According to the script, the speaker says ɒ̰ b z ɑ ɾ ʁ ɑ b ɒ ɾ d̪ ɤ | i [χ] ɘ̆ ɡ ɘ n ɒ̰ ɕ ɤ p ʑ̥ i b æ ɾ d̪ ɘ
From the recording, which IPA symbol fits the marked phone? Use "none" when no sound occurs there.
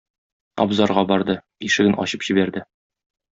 ʃ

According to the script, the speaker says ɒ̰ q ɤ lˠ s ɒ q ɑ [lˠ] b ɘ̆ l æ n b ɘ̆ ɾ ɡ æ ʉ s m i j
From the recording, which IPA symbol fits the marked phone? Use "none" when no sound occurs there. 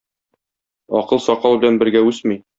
lˠ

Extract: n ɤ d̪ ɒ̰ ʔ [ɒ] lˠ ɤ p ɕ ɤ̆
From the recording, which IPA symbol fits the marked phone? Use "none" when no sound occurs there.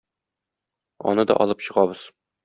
ɒ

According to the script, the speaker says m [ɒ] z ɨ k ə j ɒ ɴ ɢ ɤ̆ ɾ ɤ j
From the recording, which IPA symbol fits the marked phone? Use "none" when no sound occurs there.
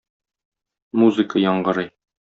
u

